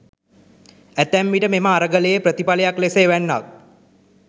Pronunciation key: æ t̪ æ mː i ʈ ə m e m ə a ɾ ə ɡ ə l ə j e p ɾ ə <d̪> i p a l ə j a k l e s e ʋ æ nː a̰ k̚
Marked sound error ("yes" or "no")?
yes